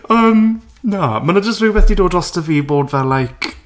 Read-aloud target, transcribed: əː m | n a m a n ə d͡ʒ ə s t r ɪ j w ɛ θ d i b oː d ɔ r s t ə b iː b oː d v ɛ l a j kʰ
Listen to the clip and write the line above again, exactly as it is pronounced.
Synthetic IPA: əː m | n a m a n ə d͡ʒ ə s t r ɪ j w ɛ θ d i d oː d ɔ s t ə v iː b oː d v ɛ l a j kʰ